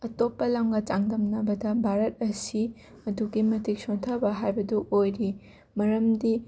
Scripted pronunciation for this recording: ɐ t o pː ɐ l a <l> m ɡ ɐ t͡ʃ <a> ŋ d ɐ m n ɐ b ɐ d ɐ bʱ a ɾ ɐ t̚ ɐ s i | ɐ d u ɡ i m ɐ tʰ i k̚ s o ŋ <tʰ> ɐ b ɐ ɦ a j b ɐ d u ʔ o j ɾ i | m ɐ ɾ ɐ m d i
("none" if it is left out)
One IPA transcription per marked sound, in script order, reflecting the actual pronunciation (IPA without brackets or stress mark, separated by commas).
none, a, tʰ